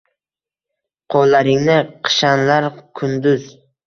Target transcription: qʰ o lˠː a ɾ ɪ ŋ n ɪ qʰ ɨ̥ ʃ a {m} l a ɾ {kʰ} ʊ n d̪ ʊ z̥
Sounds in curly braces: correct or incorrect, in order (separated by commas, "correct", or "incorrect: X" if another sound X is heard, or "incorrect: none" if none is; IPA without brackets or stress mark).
incorrect: n, correct